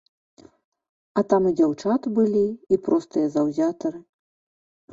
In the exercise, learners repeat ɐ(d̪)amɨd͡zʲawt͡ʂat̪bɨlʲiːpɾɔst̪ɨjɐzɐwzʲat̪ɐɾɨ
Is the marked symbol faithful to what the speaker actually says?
no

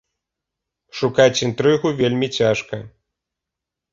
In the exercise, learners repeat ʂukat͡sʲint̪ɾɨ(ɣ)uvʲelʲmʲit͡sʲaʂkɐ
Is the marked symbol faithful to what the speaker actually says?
yes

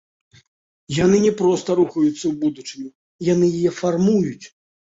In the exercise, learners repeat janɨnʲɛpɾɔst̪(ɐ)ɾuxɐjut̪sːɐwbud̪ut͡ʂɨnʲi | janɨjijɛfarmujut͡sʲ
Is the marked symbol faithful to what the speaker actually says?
yes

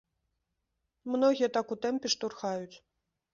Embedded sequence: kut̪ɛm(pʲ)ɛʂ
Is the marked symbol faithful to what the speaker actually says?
yes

